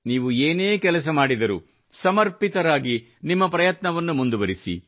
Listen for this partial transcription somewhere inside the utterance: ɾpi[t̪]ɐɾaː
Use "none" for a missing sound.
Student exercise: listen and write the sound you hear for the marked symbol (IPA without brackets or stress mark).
t̪